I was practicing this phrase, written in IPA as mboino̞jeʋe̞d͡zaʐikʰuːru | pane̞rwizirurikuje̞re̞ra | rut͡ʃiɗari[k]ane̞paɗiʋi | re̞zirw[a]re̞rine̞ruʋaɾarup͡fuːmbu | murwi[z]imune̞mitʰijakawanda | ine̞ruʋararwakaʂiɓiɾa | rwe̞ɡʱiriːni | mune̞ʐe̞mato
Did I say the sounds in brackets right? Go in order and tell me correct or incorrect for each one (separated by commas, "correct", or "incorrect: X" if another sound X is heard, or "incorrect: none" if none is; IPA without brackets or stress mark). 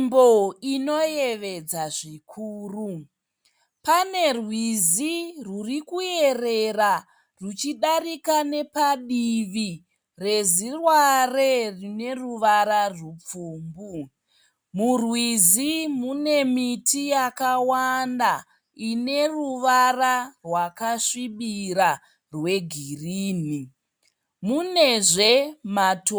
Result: correct, correct, correct